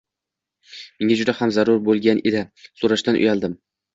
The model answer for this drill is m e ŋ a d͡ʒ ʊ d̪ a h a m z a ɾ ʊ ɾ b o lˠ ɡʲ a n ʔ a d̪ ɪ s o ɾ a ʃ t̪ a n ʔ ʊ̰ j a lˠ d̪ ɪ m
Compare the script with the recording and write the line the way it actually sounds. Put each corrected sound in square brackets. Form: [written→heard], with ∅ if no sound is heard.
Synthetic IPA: m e ŋ a d͡ʒ ʊ d̪ a h a m z a ɾ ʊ ɾ b o lˠ ɡʲ a n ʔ [a→e] d̪ ɪ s o ɾ a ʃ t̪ a n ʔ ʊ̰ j a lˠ d̪ ɪ m